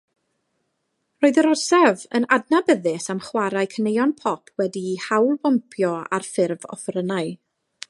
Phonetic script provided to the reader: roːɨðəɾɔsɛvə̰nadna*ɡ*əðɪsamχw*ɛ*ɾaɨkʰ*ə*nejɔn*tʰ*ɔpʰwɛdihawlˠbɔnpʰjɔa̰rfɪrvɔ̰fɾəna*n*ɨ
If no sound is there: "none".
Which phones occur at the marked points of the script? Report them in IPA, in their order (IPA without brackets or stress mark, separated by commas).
b, a, ə, pʰ, none